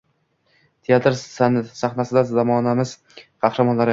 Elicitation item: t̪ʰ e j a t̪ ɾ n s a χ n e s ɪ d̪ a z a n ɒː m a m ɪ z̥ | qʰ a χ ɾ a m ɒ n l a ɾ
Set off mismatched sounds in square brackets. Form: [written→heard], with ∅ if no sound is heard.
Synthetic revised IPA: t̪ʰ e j a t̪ ɾ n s a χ n [e→a] s ɪ d̪ a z a [n→m] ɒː [m→n] a m ɪ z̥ | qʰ [a→ɑ] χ ɾ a m ɒ n l a ɾ